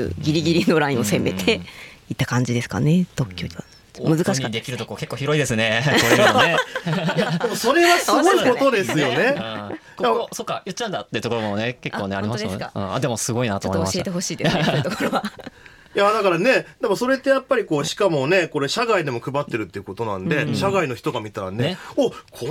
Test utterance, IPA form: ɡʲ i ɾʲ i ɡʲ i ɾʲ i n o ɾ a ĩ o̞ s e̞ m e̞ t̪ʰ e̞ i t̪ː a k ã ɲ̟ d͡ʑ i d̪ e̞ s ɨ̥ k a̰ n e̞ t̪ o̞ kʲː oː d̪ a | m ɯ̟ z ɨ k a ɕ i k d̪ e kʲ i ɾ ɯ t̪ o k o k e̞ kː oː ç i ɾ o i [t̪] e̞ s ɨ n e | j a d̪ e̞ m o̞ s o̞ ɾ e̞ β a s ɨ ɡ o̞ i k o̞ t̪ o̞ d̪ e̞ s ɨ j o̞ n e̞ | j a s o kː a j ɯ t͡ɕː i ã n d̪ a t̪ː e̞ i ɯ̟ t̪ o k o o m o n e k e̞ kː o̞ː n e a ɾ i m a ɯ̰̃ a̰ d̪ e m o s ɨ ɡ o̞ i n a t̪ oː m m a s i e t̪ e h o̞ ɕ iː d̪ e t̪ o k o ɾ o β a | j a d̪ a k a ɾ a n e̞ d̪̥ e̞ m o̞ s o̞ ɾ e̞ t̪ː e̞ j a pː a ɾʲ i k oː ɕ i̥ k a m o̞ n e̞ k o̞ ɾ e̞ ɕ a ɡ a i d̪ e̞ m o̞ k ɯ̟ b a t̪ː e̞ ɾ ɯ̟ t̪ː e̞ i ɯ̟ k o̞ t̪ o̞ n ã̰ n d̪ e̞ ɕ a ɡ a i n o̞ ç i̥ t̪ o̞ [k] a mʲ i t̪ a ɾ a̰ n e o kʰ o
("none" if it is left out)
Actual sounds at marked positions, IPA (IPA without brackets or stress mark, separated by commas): d̪, ɡ